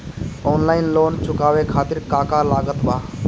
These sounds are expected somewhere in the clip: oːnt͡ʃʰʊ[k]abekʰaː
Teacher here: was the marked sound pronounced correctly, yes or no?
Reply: yes